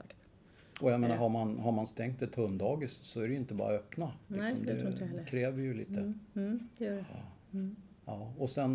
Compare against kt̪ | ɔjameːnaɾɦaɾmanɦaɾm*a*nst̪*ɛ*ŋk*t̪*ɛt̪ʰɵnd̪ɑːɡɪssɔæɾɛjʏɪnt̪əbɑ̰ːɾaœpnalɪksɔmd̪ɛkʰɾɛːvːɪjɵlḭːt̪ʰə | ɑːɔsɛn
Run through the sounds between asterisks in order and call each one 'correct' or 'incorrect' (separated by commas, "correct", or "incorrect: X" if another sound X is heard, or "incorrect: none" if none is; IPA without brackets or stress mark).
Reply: correct, correct, correct